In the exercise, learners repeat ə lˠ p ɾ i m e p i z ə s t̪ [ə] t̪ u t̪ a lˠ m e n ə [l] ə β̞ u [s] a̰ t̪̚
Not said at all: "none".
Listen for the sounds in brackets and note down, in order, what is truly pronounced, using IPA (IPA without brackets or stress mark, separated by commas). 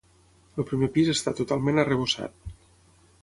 a, r, s